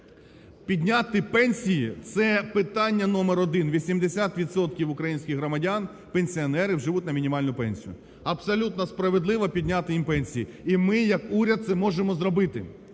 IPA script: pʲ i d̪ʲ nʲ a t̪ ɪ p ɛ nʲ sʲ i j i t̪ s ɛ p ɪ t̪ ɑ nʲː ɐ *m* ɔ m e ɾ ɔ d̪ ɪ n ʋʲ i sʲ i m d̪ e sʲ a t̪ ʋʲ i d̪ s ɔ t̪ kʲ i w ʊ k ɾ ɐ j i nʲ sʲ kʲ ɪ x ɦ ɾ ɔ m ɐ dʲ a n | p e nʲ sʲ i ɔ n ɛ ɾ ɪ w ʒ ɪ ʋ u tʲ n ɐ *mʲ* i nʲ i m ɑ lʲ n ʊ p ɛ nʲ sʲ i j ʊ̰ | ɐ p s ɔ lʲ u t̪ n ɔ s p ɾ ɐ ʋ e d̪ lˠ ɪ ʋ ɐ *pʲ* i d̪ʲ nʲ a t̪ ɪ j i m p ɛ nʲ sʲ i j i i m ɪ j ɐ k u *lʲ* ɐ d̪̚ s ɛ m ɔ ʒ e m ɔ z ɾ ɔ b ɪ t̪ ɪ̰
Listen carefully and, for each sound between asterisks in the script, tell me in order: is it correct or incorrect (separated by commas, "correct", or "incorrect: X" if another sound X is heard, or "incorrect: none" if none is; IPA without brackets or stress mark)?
incorrect: n, correct, correct, incorrect: ɾʲ